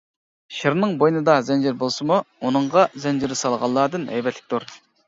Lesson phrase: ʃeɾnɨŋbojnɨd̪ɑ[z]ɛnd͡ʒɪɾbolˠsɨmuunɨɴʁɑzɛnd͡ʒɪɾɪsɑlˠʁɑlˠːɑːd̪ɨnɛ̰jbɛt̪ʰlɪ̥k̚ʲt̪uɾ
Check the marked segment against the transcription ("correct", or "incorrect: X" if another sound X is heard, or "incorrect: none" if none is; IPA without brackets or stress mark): correct